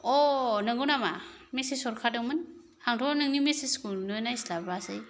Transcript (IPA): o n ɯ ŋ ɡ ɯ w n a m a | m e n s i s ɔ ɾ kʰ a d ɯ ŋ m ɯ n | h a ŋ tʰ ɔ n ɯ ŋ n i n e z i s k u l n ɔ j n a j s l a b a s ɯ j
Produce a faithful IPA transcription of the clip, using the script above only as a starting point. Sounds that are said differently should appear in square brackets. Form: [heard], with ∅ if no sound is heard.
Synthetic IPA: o n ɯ ŋ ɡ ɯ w n a m a | m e [∅] s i s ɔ ɾ kʰ a d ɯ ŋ m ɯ n | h a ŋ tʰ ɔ n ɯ ŋ n i [m] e [s] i s k u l n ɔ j n a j s l a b a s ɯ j